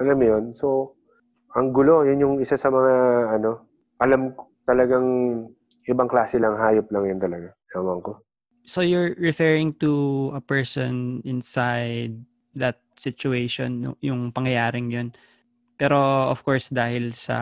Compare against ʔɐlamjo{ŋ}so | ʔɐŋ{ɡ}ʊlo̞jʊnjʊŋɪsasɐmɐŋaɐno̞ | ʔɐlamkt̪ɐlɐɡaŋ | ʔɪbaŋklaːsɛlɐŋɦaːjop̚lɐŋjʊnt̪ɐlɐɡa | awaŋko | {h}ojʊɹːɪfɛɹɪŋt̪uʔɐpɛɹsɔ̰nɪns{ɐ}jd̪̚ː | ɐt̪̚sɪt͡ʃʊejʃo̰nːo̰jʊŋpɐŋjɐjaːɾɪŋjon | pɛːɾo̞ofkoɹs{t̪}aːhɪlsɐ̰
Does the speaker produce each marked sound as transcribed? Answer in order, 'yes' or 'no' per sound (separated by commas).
no, yes, no, no, no